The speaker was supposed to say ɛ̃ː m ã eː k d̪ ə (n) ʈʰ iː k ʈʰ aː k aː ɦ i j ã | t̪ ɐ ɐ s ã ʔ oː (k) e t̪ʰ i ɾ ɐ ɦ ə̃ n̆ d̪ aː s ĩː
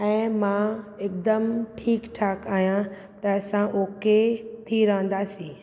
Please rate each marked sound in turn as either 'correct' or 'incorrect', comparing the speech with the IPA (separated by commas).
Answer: incorrect, correct